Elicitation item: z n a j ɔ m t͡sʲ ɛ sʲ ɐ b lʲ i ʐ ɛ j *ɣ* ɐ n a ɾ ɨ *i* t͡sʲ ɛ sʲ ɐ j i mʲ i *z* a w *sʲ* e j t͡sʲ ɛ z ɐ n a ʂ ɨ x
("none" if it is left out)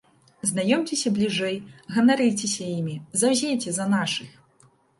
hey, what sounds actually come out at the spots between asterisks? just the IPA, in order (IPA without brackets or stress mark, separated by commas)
ɣ, j, z, zʲ